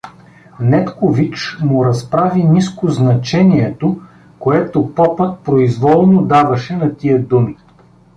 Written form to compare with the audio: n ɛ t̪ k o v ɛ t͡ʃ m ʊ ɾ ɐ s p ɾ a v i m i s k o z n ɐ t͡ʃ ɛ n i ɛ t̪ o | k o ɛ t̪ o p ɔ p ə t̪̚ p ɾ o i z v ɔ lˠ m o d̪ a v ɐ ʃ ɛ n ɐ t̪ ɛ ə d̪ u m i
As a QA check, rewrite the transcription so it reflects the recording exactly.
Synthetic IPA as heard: n ɛ t̪ k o v i t͡ʃ m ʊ ɾ ɐ s p ɾ a v i n i s k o z n ɐ t͡ʃ ɛ n i ɛ t̪ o | k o ɛ t̪ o p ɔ p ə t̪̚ p ɾ o i z v ɔ lˠ n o d̪ a v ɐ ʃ ɛ n ɐ t̪ i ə d̪ u m i